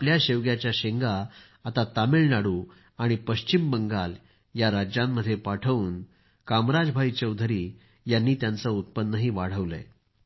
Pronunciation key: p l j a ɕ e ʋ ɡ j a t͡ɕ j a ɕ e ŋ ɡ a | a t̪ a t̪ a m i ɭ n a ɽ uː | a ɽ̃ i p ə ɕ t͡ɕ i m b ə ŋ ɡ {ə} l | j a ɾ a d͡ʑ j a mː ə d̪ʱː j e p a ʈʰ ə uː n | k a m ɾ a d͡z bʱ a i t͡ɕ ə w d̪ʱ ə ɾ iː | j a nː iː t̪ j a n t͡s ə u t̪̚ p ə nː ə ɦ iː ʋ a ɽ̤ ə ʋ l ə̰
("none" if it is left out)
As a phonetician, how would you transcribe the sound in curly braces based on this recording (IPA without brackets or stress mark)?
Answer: a